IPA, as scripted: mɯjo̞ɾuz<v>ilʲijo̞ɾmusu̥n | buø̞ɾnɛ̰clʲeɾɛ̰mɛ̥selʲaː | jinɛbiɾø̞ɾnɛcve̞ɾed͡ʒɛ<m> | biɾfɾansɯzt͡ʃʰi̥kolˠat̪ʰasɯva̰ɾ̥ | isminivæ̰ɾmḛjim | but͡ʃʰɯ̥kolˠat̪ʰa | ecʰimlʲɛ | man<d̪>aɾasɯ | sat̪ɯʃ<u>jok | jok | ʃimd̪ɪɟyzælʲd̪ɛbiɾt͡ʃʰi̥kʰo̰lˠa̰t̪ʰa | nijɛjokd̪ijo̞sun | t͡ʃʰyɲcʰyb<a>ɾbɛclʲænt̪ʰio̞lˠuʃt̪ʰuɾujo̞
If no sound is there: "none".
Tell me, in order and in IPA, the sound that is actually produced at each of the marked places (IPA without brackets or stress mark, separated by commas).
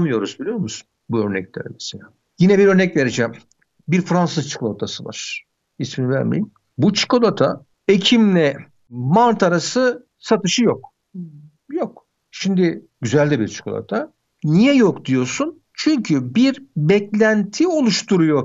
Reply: b, m, t̪, ɯ, i